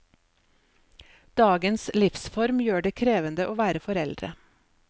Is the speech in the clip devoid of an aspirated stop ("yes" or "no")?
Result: no